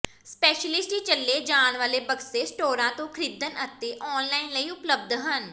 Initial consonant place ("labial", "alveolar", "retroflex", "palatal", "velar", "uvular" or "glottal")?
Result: alveolar